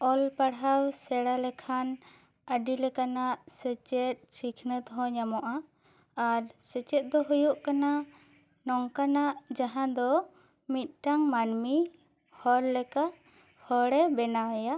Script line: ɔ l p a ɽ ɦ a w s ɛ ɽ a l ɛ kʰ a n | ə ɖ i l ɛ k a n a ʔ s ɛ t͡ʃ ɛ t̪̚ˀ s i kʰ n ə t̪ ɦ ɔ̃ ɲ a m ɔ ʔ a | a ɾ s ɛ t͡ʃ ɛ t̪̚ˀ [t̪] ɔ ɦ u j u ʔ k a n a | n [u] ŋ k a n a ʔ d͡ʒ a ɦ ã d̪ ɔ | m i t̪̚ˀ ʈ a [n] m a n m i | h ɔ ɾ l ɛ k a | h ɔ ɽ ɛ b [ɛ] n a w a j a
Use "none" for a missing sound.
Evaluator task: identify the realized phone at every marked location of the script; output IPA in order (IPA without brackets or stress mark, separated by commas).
d̪, ɔ, ŋ, ɛ